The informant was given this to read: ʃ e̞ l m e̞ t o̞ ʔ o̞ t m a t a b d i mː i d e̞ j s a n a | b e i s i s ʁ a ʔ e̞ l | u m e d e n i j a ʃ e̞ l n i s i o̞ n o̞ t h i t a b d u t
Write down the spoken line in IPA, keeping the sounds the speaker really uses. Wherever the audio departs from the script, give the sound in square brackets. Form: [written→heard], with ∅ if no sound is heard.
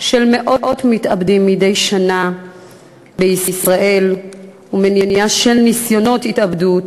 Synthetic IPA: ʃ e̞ l m e̞ [t→ʔ] o̞ ʔ o̞ t m [a→i] t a b d i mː i d e̞ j [s→ʃ] a n a | b e i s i s ʁ a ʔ e̞ l | u m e [d→n] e n i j a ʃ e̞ l n i s [i→j] o̞ n o̞ t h i t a b d u t

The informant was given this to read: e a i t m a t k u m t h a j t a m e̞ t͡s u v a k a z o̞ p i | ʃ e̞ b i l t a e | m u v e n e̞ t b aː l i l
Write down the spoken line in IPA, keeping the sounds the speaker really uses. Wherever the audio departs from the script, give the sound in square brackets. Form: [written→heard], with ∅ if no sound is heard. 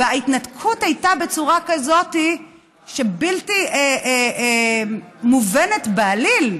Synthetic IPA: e a i t [m→n] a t [k→kʰ] u [m→∅] t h a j t a [m→b] e̞ t͡s u [v→ʁ] a k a z o̞ [p→t] i | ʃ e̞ b i l t [a→i] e | m u v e n e̞ t b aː l i l

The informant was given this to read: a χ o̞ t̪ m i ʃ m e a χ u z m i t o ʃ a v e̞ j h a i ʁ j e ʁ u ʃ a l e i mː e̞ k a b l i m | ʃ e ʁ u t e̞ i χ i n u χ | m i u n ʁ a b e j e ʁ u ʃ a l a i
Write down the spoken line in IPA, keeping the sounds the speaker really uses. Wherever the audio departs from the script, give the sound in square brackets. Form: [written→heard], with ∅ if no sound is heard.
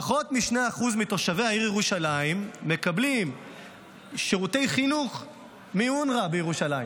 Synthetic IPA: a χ o̞ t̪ m i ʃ [m→n] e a χ u z m i t o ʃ a v e̞ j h a i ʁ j e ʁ u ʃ a l [e→a] i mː e̞ k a b l i m | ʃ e ʁ u t e̞ [i→j] χ i n u χ | m i u n ʁ a b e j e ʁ u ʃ a l a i

